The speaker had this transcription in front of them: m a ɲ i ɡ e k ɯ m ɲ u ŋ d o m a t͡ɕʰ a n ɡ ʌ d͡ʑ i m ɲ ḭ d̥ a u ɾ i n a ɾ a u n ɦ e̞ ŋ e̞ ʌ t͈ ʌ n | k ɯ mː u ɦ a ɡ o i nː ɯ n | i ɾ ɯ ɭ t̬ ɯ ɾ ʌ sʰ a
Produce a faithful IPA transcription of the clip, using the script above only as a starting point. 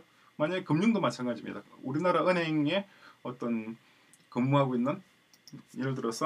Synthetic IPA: m a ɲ a ɡ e k ɯ m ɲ u ŋ d o m a t͡ɕʰ a n ɡ a d͡ʑ i m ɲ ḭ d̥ a u ɾ i n a ɾ a ɯ n ɦ e̞ ŋ e̞ ʌ t͈ ʌ n | k ɯ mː u ɦ a ɡ o i nː ɯ n | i ɾ ɯ ɭ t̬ ɯ ɾ ʌ sʰ ʌ

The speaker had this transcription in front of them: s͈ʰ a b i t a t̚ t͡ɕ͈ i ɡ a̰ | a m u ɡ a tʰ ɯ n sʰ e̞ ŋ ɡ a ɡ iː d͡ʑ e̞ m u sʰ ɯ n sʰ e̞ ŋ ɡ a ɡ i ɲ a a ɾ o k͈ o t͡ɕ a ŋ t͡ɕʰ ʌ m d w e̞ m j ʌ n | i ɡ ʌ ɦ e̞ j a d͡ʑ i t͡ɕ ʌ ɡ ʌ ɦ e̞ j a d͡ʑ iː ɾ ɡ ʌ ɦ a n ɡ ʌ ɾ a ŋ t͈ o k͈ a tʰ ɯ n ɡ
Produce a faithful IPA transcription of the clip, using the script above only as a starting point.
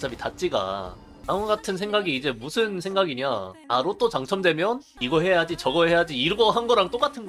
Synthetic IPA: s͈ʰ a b i t a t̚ t͡ɕ͈ i ɡ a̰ | a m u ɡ a tʰ ɯ n sʰ e̞ ŋ ɡ a ɡ iː d͡ʑ e̞ m u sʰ ɯ n sʰ e̞ ŋ ɡ a ɡ i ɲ a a ɾ o t͈ o t͡ɕ a ŋ t͡ɕʰ ʌ m d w e̞ m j ʌ n | i ɡ ʌ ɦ e̞ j a d͡ʑ i t͡ɕ ʌ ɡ ʌ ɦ e̞ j a d͡ʑ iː ɾ ɡ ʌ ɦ a n ɡ ʌ ɾ a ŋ t͈ o k͈ a tʰ ɯ n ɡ

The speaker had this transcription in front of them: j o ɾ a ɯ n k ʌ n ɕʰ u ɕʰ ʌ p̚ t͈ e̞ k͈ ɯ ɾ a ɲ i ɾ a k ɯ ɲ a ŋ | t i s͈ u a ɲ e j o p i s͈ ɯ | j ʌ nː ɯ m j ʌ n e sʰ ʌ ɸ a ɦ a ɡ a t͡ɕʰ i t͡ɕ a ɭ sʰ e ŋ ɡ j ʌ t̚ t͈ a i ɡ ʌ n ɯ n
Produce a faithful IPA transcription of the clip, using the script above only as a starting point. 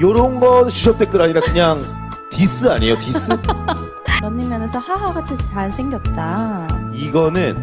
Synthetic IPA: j o ɾ ʌ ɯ n ɡ ʌ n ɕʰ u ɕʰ ʌ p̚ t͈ e̞ k͈ ɯ ɾ a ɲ i ɾ a k ɯ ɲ a ŋ | t i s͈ ɯ a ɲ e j o t i s͈ ɯ | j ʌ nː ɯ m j ʌ n e sʰ ʌ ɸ a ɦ a ɡ a t͡ɕʰ i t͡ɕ a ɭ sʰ e ŋ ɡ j ʌ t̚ t͈ a i ɡ ʌ n ɯ n

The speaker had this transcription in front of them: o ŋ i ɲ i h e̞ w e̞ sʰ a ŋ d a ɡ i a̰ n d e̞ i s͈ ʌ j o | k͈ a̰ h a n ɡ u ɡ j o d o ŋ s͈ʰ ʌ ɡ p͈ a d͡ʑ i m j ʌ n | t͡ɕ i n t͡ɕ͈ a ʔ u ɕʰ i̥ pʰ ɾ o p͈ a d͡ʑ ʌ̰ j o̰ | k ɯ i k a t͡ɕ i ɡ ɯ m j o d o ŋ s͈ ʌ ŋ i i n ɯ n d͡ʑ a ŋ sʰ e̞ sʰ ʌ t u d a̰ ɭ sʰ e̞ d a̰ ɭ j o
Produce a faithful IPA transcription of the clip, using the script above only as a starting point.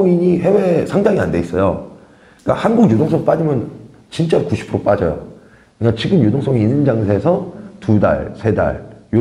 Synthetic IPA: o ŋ i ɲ i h e̞ w e̞ sʰ a ŋ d a ŋ i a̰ n d e̞ i s͈ ʌ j o | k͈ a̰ h a n ɡ u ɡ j o d o ŋ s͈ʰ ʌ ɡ p͈ a d͡ʑ i m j ʌ n | t͡ɕ i n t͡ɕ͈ a k u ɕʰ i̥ pʰ ɾ o p͈ a d͡ʑ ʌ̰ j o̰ | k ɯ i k a t͡ɕ i ɡ ɯ m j o d o ŋ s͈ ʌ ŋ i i n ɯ n d͡ʑ a ŋ sʰ e̞ sʰ ʌ t u d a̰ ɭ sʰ e̞ d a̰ ɭ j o

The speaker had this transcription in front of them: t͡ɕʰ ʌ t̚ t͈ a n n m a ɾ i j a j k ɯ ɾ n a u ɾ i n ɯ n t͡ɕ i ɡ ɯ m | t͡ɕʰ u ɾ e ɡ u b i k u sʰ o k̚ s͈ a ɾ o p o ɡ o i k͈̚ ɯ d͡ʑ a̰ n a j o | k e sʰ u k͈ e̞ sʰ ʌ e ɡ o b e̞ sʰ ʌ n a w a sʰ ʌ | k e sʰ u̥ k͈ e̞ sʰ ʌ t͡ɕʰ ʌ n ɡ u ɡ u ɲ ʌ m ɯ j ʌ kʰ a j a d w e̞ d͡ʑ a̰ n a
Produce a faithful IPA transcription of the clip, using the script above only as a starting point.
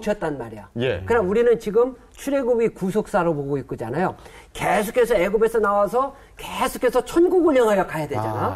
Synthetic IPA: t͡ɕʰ ʌ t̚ t͈ a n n m a ɾ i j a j k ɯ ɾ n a u ɾ i n ɯ n t͡ɕ i ɡ ɯ m | t͡ɕʰ u ɾ e ɡ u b i k u sʰ o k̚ s͈ a ɾ o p o ɡ o i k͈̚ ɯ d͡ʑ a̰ n a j o | k e sʰ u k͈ e̞ sʰ ʌ e ɡ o b e̞ sʰ ʌ n a w a sʰ ʌ | k e sʰ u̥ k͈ e̞ sʰ ʌ t͡ɕʰ ʌ n ɡ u ɡ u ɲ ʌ ŋ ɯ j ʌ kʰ a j a d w e̞ d͡ʑ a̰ n a

